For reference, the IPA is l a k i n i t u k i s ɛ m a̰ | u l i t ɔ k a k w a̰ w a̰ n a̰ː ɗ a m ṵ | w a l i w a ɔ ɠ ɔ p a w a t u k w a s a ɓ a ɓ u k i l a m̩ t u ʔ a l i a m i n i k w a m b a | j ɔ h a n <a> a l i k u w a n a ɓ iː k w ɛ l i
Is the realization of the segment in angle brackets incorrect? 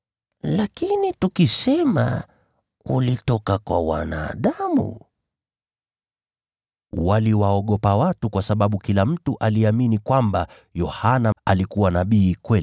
no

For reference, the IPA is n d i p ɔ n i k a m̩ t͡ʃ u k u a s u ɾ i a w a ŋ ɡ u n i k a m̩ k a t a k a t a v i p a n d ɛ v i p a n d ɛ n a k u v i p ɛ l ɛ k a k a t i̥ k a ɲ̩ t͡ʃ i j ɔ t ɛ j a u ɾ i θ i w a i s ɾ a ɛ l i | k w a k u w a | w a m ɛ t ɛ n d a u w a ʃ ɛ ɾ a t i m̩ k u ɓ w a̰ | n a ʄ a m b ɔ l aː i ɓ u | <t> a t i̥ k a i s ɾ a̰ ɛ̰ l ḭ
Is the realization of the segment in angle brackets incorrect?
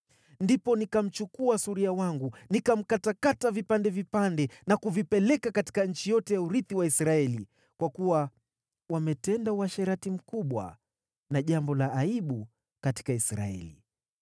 yes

